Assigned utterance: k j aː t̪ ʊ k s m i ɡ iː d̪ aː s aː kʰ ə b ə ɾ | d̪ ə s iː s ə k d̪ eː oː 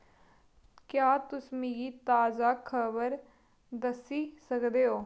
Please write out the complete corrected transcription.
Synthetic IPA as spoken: k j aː t̪ ʊ s m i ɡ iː t̪ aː z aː kʰ ə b ə ɾ | d̪ ə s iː s ə k d̪ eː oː

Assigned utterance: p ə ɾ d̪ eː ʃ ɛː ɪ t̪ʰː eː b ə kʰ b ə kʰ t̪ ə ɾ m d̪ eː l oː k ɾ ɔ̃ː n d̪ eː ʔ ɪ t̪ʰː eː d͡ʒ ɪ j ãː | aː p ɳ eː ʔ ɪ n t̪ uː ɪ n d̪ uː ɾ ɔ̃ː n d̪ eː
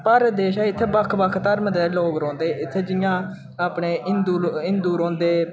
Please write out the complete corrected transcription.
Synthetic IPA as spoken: p ə ɾ d̪ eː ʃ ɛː ɪ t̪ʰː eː b ə kʰ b ə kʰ t̪ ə ɾ m d̪ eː l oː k ɾ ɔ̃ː n d̪ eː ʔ ɪ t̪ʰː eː d͡ʒ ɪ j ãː | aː p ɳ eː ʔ ɪ n d̪ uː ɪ n d̪ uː ɾ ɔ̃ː n d̪ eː

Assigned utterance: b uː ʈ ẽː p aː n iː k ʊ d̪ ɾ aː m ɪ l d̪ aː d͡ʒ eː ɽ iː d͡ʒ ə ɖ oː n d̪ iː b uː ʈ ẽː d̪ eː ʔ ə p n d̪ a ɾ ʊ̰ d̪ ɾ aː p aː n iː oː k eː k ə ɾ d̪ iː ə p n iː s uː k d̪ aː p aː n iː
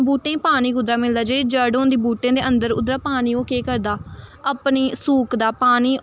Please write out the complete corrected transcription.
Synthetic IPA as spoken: b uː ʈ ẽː p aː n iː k ʊ d̪ ɾ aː m ɪ l d̪ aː d͡ʒ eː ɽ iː d͡ʒ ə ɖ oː n d̪ iː b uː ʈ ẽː d̪ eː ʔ ə n d̪ ə ɾ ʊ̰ d̪ ɾ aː p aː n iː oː k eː k ə ɾ d̪ aː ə p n iː s uː k d̪ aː p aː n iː

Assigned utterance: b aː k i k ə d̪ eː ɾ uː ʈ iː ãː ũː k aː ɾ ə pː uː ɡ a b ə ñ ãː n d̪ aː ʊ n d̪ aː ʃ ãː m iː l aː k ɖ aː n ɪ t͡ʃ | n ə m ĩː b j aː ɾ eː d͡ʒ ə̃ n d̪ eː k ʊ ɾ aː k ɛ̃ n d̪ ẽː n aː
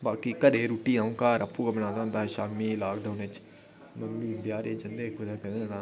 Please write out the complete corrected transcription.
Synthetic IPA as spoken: b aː k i k ə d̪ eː ɾ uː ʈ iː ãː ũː k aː ɾ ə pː uː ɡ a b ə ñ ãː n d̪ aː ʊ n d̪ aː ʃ aː m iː l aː k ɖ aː n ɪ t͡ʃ | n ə m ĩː b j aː ɾ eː d͡ʒ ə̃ n d̪ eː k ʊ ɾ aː k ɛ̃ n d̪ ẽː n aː

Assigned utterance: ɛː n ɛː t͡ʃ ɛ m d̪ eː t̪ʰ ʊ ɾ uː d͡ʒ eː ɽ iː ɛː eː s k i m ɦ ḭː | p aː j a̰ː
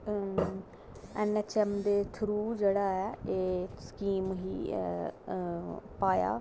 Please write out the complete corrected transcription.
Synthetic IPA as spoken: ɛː n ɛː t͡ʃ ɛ m d̪ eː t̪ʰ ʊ ɾ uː d͡ʒ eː ɽ aː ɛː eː s k iː m ɦ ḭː | p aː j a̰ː

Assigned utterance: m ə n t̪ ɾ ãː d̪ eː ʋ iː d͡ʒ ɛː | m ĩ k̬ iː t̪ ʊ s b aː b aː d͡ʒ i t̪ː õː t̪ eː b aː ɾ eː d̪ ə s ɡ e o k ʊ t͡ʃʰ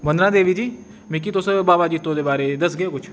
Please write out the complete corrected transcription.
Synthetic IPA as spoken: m ə n d̪ ɾ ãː d̪ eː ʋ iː d͡ʒ iː | m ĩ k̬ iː t̪ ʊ s b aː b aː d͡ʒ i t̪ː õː d̪ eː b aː ɾ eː d̪ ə s ɡ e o k ʊ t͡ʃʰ

